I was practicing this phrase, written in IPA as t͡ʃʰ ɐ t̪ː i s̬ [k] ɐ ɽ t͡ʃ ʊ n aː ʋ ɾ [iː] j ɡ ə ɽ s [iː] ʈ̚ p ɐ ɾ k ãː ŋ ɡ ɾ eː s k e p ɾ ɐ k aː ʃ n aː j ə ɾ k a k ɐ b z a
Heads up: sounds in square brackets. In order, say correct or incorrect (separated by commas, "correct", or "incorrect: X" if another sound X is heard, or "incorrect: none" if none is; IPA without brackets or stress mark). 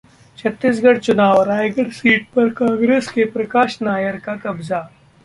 incorrect: ɡ, incorrect: aː, correct